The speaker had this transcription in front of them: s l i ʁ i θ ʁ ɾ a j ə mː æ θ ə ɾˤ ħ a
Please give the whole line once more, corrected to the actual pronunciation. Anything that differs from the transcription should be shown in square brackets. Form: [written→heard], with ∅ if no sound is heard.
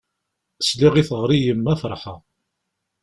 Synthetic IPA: s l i ʁ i θ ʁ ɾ [a→i] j ə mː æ [θ→f] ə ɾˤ ħ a